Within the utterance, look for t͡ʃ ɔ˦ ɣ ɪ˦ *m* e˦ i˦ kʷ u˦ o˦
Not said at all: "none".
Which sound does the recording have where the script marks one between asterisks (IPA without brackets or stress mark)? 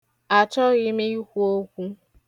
m